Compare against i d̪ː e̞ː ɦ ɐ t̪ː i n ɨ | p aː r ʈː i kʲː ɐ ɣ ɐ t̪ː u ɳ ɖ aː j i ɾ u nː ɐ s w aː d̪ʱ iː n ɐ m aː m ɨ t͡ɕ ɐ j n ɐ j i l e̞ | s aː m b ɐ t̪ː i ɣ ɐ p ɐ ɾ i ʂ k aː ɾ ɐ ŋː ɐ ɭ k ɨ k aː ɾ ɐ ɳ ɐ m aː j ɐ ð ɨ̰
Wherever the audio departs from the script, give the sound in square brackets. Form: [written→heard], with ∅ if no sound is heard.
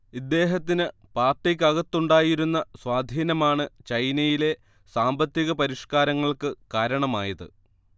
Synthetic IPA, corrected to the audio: i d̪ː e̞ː ɦ ɐ t̪ː i n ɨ | p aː r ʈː i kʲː ɐ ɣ ɐ t̪ː u ɳ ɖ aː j i ɾ u nː ɐ s w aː d̪ʱ iː n ɐ m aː [m→ɳ] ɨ t͡ɕ ɐ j n ɐ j i l e̞ | s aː m b ɐ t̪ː i ɣ ɐ p ɐ ɾ i ʂ k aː ɾ ɐ ŋː ɐ ɭ k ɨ k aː ɾ ɐ ɳ ɐ m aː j ɐ ð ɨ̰